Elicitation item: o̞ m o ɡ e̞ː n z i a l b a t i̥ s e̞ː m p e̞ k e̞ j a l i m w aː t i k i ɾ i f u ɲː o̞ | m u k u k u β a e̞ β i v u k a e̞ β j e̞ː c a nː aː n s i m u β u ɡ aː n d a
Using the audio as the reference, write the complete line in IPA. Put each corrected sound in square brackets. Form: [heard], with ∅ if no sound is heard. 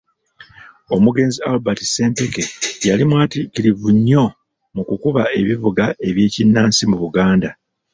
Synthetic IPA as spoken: o̞ m [u] ɡ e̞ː n z i a l b a t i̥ s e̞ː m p e̞ k e̞ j a l i m w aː t i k i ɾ i [v] u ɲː o̞ | m u k u k u β a e̞ β i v u [ɡ] a e̞ β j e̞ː c [i] nː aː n s i m u β u ɡ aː n d a